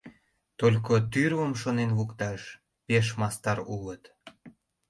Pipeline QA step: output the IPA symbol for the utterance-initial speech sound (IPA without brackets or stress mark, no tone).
t̪